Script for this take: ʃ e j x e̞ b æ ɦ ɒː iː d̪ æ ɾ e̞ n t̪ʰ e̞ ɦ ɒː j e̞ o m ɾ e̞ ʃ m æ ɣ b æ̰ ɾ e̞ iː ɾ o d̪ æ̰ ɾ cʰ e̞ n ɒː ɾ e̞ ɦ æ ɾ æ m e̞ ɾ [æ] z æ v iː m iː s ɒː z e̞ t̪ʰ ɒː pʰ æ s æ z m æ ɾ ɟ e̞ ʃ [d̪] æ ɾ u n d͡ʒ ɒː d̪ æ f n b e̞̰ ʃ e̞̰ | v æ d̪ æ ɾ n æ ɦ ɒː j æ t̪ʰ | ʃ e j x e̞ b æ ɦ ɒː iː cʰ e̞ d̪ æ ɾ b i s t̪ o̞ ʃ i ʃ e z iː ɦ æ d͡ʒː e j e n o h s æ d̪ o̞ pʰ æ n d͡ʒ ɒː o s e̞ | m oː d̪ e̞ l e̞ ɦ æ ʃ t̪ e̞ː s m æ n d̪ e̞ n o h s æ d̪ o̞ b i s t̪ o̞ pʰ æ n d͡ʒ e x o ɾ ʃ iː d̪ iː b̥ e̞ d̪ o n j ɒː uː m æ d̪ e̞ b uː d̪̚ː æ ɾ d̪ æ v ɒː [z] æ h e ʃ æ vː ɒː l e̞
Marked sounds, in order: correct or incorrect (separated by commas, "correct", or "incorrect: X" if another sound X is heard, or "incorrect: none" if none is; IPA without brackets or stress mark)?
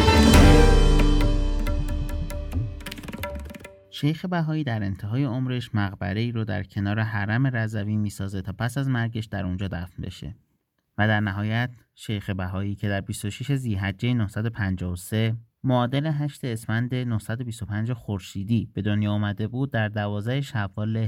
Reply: correct, correct, correct